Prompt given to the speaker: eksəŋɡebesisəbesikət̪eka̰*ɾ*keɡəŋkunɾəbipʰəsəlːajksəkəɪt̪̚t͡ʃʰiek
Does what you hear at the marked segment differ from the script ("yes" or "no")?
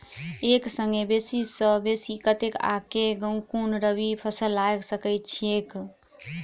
yes